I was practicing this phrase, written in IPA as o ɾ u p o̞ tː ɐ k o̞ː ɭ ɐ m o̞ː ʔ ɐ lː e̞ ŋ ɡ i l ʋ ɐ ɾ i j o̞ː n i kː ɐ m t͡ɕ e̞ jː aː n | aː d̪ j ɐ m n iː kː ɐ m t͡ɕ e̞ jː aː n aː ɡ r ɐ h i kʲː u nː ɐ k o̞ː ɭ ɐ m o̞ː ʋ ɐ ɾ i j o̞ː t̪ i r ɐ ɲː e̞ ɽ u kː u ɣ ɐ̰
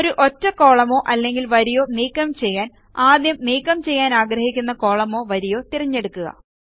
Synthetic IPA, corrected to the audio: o ɾ u ʔ o̞ tː ɐ k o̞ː ɭ ɐ m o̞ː ʔ ɐ lː e̞ ŋ ɡ i l ʋ ɐ ɾ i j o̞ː n iː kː ɐ m t͡ɕ e̞ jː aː n | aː d̪ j ɐ m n iː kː ɐ m t͡ɕ e̞ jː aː n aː ɡ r ɐ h i kʲː u nː ɐ k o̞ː ɭ ɐ m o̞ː ʋ ɐ ɾ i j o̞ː t̪ i r ɐ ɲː e̞ ɽ u kː u ɣ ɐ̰